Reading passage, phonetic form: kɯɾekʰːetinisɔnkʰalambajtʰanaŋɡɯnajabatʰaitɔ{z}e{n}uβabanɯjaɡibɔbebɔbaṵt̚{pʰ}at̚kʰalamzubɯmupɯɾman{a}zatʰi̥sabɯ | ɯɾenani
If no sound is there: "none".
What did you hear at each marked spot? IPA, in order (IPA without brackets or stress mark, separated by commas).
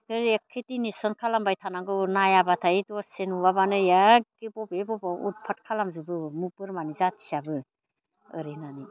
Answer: s, n, pʰ, i